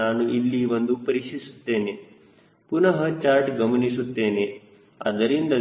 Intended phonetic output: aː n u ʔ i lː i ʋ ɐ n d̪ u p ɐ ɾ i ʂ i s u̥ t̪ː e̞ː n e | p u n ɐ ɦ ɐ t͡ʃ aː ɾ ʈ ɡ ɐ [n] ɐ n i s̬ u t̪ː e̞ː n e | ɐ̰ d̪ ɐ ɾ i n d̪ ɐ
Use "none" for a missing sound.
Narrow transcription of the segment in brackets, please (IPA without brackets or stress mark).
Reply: m